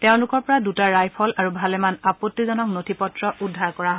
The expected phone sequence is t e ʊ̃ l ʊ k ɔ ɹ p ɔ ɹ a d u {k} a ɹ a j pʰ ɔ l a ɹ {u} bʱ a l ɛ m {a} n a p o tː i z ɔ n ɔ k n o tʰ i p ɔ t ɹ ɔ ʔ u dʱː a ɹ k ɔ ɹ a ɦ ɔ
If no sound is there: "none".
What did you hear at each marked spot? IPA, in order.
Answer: t, u, a

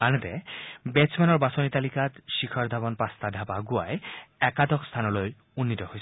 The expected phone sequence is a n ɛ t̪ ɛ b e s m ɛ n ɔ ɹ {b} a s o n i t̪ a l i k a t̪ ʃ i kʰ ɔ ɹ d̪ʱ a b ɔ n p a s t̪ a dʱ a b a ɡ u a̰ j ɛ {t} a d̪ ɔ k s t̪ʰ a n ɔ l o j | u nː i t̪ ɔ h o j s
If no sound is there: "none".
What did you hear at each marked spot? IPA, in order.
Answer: b, k

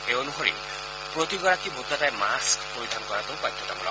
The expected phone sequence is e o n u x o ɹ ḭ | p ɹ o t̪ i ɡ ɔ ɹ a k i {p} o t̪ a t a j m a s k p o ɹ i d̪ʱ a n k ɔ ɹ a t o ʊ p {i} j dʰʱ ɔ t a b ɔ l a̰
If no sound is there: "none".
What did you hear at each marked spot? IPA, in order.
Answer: b, a

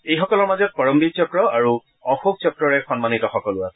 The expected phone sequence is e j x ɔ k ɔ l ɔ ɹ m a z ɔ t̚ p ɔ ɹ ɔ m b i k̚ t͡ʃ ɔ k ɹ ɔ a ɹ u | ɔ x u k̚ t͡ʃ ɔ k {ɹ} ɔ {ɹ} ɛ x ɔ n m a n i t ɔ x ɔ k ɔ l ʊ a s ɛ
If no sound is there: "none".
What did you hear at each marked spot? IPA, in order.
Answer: ɹ, ɹ

